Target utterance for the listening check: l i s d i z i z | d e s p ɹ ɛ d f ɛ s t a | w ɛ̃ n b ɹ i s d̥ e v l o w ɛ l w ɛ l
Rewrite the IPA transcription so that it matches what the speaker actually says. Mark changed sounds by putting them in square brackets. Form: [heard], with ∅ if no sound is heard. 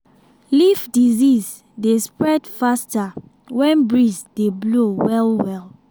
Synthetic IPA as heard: l i [f] d i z i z | d e s p ɹ ɛ d f [a] s t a | w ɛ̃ n b ɹ i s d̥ e [b] l o w ɛ l w ɛ l